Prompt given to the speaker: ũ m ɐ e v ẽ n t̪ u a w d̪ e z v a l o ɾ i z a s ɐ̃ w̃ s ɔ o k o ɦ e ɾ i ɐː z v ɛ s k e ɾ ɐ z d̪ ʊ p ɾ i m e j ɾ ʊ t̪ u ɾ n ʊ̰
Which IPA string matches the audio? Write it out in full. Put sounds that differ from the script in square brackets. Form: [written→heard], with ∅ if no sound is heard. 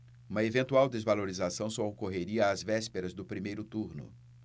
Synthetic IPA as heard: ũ m ɐ e v ẽ n t̪ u a w d̪ e z v a l o ɾ i z a s ɐ̃ w̃ s ɔ o k o ɦ e ɾ i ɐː z v ɛ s [k→p] e ɾ ɐ z d̪ ʊ p ɾ i m e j ɾ ʊ t̪ u ɾ n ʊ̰